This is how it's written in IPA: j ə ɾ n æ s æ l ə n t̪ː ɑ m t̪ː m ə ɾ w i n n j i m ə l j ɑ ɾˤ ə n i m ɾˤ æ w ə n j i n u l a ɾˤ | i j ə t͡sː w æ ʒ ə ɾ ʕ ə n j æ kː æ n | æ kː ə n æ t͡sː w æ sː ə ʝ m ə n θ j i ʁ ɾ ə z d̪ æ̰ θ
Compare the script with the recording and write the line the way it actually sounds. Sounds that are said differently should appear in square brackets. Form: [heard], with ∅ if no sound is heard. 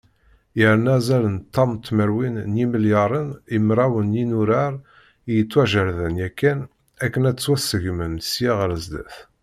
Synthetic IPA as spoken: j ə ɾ n æ [z] æ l ə n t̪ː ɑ m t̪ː m ə ɾ w i n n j i m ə l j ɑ ɾˤ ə n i m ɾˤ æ w ə n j i n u [ɾ] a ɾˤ | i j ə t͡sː w æ ʒ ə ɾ [ð] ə n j æ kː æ n | æ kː ə n æ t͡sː w æ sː ə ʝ m ə n [s] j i ʁ ɾ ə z d̪ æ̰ θ